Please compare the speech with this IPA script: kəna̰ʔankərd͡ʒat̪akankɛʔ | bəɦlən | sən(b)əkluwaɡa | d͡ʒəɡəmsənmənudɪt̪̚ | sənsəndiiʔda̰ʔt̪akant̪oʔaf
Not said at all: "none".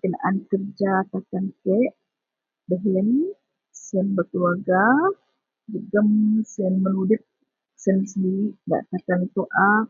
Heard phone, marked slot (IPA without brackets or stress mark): b